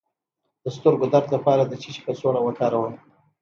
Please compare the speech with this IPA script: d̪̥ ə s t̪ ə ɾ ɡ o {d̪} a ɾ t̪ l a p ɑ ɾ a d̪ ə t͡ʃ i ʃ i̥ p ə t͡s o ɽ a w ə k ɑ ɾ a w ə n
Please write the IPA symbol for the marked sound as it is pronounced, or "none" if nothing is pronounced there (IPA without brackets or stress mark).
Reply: d̪